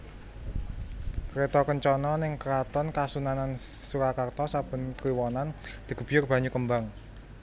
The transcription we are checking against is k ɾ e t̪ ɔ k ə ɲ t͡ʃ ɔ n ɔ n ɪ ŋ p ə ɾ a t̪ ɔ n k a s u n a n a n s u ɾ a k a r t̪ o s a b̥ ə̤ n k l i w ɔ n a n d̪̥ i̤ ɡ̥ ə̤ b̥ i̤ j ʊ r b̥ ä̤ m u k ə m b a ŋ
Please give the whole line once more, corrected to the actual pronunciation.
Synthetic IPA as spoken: k ɾ e t̪ ɔ k ə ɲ t͡ʃ ɔ n ɔ n ɪ ŋ k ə ɾ a t̪ ɔ n k a s u n a n a n s u ɾ a k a r t̪ ɔ s a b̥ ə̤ n k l i w ɔ n a n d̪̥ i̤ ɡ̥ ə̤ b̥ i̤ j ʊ r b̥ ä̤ ɲ u k ə m b a ŋ